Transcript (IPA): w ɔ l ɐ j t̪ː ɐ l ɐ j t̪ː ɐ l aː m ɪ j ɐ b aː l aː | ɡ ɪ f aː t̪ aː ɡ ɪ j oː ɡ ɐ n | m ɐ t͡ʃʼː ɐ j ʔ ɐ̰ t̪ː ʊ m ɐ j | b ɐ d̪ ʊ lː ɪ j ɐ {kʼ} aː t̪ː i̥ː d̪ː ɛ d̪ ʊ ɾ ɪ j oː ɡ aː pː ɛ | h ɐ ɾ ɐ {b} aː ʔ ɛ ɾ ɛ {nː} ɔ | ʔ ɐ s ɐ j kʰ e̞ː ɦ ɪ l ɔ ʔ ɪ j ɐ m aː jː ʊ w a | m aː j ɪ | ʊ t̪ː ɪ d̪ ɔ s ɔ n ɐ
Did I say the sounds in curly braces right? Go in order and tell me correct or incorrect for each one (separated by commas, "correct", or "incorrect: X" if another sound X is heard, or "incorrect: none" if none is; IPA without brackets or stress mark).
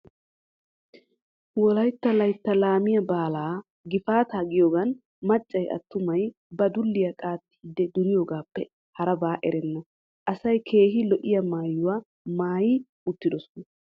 correct, correct, correct